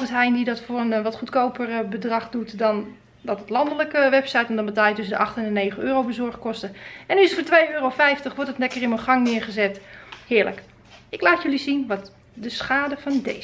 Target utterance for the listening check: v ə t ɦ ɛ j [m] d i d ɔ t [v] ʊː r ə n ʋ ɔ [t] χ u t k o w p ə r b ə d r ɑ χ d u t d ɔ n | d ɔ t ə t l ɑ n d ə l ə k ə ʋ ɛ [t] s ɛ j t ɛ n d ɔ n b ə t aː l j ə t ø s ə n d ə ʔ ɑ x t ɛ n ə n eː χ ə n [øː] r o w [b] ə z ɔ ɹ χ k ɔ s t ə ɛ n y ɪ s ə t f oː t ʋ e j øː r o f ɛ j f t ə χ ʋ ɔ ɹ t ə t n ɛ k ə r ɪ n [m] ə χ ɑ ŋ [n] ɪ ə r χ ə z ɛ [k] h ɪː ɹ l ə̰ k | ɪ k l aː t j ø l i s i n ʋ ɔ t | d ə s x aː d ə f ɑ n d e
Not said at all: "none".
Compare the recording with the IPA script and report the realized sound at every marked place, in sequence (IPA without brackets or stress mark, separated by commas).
n, f, t, p, øː, b, m, n, t